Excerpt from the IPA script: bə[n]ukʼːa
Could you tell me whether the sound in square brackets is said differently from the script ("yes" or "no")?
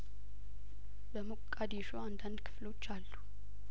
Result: yes